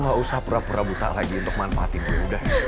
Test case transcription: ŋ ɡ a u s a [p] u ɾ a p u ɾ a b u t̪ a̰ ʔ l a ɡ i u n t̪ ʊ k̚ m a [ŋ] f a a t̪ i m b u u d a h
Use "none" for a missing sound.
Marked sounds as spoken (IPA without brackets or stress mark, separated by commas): p, n